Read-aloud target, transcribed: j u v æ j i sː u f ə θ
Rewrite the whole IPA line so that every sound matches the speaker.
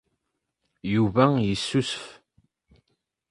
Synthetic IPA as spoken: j u v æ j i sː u s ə f